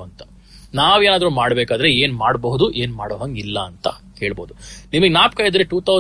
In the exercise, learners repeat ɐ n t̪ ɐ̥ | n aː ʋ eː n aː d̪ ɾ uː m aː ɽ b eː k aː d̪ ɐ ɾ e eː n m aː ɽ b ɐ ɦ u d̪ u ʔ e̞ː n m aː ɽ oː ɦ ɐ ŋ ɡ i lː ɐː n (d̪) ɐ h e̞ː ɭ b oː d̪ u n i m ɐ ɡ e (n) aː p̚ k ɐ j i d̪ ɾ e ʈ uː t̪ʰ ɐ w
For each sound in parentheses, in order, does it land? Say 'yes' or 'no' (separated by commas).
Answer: no, yes